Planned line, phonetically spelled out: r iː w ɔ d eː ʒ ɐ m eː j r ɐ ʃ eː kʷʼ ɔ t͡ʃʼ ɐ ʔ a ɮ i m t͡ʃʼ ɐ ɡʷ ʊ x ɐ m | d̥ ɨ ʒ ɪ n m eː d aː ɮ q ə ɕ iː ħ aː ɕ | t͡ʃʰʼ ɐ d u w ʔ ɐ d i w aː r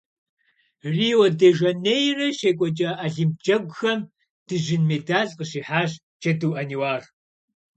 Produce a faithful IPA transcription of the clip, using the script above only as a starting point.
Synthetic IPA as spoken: r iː w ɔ d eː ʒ ɐ n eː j r ɐ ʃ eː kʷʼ ɔ t͡ʃʼ ɐ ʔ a ɮ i m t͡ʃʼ ɐ ɡʷ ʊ x ɐ m | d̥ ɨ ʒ ɪ n m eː d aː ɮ q ə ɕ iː ħ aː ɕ | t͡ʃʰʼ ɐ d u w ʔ ɐ n i w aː r